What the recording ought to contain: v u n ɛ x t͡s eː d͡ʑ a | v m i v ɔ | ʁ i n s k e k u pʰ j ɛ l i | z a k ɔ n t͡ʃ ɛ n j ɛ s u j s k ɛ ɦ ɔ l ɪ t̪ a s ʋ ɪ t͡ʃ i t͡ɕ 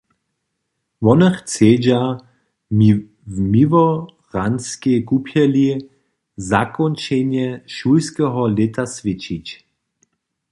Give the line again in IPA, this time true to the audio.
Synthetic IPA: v ɔ n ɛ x t͡s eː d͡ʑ a | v m i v ɔ | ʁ a n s k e k u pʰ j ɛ l i | z a k ɔ n t͡ʃ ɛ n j ɛ ʃ u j s k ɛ ɦ ɔ l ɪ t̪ a s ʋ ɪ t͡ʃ i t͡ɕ